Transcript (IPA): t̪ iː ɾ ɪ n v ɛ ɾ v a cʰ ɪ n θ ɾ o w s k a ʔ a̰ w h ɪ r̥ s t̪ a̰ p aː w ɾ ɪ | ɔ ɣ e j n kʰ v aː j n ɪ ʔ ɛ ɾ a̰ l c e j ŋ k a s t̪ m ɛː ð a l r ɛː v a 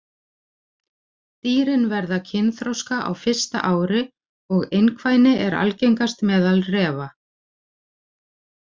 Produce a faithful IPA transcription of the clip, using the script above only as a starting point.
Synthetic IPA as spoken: t̪ iː ɾ ɪ n v ɛ ɾ ð a cʰ ɪ n θ ɾ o w s k a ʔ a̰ w f ɪ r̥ s t̪ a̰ ʔ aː w ɾ ɪ | ɔ ɣ e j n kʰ v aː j n ɪ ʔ ɛ ɾ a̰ l c e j ŋ k a s t̪ m ɛː ð a l r ɛː v a